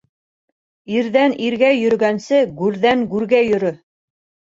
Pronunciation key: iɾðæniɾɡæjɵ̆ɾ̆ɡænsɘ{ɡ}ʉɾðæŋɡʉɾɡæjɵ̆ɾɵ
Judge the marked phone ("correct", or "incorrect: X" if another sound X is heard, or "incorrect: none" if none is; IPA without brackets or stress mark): correct